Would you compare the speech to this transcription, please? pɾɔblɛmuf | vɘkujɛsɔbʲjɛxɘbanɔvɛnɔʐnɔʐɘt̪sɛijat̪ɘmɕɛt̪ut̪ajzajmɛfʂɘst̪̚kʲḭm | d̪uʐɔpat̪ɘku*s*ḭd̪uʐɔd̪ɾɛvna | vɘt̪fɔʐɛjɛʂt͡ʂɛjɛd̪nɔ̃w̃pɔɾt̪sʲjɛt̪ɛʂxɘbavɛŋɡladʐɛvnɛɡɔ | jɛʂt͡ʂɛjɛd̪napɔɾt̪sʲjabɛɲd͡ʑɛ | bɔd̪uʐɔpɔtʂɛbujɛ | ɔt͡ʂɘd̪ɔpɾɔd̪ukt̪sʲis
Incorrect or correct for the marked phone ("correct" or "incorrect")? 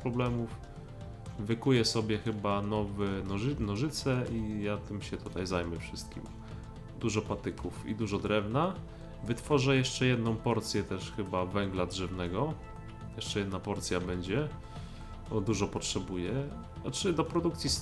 incorrect